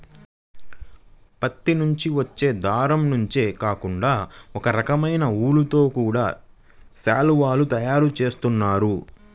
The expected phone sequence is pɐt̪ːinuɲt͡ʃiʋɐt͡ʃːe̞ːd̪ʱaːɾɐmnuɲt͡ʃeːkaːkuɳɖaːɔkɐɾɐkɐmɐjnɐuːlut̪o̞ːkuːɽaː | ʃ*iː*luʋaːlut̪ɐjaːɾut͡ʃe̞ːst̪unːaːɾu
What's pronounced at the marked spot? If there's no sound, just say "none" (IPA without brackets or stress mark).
aː